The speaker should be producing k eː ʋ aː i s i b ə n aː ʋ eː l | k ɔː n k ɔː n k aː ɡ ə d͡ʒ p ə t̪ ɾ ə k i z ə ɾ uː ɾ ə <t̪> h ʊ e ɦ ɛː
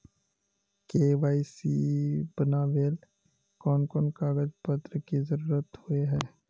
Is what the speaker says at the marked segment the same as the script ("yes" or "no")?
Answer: yes